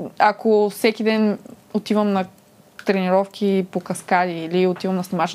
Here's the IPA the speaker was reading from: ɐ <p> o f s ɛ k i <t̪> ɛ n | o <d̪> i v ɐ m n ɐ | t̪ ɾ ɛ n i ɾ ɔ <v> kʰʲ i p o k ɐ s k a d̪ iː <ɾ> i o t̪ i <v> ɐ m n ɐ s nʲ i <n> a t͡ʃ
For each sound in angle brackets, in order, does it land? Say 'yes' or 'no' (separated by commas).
no, no, no, no, no, yes, no